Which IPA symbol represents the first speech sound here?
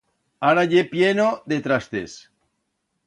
a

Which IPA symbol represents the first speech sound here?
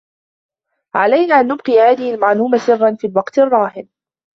ʕ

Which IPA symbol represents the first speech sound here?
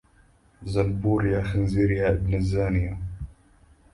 z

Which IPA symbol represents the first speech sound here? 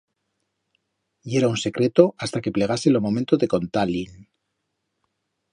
e̞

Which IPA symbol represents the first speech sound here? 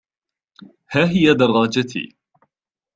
h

